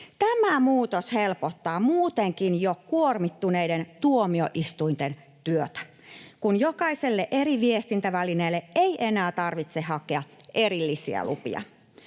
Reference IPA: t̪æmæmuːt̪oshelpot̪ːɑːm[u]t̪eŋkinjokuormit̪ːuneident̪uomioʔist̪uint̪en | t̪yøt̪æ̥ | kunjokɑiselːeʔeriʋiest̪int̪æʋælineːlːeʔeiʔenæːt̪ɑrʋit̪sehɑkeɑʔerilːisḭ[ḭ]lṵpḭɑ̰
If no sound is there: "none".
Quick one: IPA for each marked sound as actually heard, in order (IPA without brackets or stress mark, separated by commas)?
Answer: uː, æ̰